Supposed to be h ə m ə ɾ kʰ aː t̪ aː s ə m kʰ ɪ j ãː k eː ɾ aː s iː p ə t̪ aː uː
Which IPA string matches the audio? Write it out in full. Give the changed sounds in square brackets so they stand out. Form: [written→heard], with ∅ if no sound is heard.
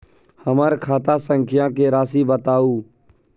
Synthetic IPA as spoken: h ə m ə ɾ kʰ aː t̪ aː s ə [m→ŋ] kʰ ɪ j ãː k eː ɾ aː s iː [p→b] ə t̪ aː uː